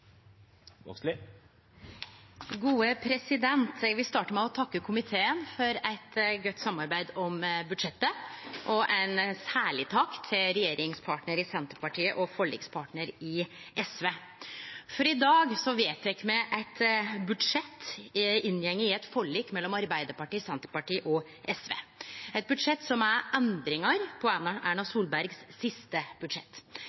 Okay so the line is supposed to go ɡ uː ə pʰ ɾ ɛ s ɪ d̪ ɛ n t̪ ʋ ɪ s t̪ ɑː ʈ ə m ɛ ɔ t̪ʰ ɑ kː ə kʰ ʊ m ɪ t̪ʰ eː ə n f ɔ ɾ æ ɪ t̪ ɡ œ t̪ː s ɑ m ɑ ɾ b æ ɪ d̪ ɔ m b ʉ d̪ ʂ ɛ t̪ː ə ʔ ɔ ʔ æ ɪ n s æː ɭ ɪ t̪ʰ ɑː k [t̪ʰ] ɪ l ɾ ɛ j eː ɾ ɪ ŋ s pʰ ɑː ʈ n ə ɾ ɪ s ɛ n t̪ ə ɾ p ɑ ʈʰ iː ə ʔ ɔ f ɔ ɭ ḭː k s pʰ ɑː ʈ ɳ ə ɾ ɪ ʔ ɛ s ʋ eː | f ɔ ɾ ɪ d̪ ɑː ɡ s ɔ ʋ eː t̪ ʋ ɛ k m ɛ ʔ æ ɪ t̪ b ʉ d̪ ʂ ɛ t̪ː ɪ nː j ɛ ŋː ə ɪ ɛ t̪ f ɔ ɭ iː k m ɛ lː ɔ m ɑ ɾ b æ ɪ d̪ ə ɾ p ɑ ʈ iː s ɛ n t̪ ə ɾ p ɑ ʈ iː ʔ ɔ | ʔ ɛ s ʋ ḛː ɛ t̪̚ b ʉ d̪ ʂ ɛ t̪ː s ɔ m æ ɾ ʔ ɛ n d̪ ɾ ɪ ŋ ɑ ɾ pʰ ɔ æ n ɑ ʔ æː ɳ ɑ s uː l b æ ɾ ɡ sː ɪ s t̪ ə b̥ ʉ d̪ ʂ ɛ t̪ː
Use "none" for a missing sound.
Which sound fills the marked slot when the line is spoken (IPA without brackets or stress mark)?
t̪ʰ